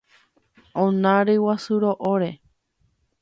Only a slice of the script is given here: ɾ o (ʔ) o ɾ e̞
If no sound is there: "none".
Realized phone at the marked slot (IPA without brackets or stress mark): ʔ